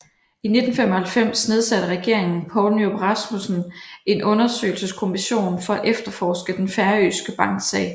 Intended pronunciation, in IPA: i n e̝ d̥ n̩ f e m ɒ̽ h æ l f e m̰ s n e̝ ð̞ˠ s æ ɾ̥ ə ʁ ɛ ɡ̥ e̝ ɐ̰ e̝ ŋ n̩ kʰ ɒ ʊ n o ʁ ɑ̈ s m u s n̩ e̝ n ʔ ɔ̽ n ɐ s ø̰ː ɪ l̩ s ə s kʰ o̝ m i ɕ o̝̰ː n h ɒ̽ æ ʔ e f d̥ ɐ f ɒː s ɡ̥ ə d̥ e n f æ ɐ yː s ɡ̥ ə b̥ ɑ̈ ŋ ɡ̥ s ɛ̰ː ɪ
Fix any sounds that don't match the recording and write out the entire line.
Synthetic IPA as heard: i n e̝ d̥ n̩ f e m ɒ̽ h æ l f e m̰ s n e̝ ð̞ˠ s æ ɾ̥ ə ʁ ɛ ɡ̥ e̝ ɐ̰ e̝ ŋ n̩ pʰ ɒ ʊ n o ʁ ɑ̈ s m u s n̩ e̝ n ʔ ɔ̽ n ɐ s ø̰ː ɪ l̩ s ə s kʰ o̝ m i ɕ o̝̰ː n f ɒ̽ æ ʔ e f d̥ ɐ f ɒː s ɡ̥ ə d̥ e n f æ ɐ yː s ɡ̥ ə b̥ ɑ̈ ŋ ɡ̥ s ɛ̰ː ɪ